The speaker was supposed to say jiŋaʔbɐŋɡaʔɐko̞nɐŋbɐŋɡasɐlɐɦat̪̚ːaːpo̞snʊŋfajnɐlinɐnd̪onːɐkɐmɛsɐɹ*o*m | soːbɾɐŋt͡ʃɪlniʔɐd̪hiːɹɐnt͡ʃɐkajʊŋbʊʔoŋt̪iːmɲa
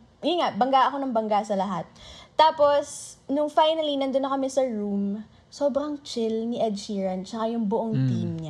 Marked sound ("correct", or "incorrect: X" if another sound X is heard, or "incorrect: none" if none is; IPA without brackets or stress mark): incorrect: u